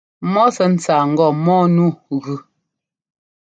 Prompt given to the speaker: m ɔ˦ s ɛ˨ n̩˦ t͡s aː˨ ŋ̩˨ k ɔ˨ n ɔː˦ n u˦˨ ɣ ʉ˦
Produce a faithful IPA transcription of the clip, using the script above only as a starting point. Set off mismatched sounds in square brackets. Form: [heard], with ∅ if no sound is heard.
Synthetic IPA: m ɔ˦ s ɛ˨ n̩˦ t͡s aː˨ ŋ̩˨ [ɡ] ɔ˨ [m] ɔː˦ n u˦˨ ɣ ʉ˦